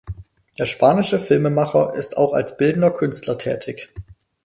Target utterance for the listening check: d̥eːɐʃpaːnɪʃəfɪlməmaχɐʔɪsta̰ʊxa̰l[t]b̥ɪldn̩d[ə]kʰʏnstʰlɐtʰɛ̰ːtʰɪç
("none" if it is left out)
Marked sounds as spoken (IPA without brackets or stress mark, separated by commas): s, ɐ